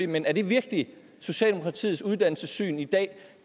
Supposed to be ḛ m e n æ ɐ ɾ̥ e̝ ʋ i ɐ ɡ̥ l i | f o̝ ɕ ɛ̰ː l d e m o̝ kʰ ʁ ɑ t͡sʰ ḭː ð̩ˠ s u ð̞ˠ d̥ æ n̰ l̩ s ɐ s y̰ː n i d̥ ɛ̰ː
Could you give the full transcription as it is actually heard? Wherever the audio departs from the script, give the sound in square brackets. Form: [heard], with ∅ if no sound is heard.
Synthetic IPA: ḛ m e n æ ɐ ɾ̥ e̝ ʋ i ɐ ɡ̥ l i | [s] o̝ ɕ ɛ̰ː l d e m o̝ kʰ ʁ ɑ t͡sʰ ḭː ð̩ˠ s u ð̞ˠ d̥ æ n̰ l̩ s [ə] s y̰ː n i d̥ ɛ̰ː